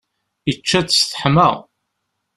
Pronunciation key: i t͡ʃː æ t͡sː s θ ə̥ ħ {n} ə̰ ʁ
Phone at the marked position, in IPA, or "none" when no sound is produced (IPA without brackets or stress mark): m